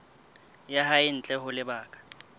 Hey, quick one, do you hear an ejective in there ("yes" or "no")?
yes